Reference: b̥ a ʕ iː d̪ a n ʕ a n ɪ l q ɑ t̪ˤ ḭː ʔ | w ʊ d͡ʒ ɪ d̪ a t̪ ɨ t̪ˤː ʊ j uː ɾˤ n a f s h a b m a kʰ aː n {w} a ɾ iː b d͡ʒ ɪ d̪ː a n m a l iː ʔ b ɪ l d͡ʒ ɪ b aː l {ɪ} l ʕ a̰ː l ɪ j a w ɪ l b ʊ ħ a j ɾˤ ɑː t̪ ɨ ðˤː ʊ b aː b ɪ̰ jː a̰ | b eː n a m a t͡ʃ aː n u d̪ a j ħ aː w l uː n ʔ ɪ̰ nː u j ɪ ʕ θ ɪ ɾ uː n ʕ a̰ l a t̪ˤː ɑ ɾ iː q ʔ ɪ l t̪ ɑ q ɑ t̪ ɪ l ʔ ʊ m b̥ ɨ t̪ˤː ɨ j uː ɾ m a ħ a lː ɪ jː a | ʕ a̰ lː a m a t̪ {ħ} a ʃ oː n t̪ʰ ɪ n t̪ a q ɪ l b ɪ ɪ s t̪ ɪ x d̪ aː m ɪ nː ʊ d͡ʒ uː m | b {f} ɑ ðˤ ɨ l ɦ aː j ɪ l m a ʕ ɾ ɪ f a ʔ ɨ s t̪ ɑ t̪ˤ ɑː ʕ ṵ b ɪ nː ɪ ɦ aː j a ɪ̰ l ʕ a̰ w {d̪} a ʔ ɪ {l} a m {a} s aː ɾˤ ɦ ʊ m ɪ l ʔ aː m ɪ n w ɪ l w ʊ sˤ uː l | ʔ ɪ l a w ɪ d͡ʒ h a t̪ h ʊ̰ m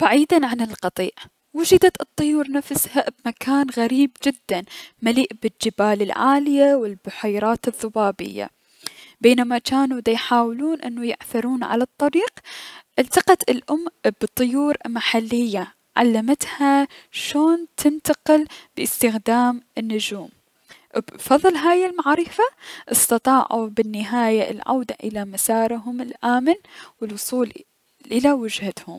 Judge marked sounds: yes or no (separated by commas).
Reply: no, yes, no, yes, yes, yes, yes